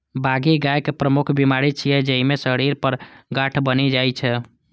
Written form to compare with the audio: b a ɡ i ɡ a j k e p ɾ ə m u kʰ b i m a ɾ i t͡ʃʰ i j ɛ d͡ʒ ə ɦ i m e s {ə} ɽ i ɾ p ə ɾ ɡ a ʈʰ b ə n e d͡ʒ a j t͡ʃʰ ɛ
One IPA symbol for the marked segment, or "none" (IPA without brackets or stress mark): ə